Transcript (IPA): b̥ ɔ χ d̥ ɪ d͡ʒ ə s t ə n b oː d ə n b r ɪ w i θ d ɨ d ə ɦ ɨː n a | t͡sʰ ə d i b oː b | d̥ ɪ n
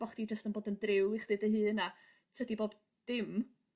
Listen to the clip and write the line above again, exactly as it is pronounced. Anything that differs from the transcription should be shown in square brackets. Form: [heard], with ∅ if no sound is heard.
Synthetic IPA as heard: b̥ ɔ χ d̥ [i] d͡ʒ ə s t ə n b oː d ə n [d] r ɪ w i [χ] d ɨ d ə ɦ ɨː n a | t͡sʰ ə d i b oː b | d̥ ɪ [m]